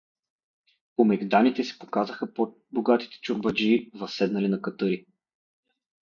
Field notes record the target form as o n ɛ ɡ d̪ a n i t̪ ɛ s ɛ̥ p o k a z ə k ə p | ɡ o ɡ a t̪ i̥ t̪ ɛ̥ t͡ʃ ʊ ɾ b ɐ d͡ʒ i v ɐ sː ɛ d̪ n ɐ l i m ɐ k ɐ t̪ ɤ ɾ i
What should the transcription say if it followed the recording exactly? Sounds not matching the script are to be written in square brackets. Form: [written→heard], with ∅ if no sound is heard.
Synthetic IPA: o [n→m] ɛ ɡ d̪ a n i t̪ ɛ s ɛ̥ p o k a z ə [k→x] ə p | [ɡ→b] o ɡ a t̪ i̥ t̪ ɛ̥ t͡ʃ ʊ ɾ b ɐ d͡ʒ i v ɐ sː ɛ d̪ n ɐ l i [m→n] ɐ k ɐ t̪ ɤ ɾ i